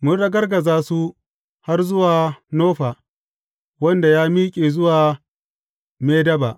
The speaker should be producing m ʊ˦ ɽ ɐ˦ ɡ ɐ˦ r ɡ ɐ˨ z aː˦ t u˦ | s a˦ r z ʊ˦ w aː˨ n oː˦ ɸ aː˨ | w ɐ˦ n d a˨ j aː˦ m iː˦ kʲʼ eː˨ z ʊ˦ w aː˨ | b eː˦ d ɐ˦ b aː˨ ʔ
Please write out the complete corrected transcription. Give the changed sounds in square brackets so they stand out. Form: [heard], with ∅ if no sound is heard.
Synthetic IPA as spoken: m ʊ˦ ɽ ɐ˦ ɡ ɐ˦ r ɡ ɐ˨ z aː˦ [s] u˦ | [h] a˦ r z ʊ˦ w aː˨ n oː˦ ɸ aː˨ | w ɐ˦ n d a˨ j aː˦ m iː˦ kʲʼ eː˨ z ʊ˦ w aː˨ | [m] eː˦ d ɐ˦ b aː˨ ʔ